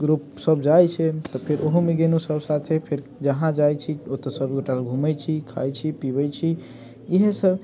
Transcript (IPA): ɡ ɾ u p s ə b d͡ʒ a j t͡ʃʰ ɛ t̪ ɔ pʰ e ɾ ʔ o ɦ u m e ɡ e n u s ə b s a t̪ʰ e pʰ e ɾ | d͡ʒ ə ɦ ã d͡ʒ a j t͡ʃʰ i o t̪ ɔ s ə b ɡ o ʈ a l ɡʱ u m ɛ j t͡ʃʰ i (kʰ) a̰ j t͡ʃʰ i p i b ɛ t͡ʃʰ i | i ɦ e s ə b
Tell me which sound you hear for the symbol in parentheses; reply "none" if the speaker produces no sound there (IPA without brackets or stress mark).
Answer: kʰ